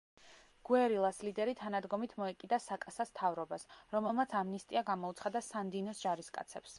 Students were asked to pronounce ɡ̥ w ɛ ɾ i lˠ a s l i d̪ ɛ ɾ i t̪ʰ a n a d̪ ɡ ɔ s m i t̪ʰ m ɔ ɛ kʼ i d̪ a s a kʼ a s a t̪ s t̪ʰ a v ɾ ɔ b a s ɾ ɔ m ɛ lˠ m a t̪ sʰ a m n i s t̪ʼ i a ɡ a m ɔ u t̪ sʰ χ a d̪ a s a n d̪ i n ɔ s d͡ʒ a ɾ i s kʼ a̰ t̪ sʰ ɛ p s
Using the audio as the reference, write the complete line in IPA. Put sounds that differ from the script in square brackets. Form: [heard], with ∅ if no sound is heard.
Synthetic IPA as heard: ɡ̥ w ɛ ɾ i lˠ a s l i d̪ ɛ ɾ i t̪ʰ a n a d̪ ɡ ɔ [∅] m i t̪ʰ m ɔ ɛ kʼ i d̪ a s a kʼ a s a [∅] s t̪ʰ a v ɾ ɔ b a s ɾ ɔ m ɛ lˠ m a t̪ sʰ a m n i s t̪ʼ i a ɡ a m ɔ u t̪ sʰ χ a d̪ a s a n d̪ i n ɔ s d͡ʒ a ɾ i s kʼ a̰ t̪ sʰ ɛ p s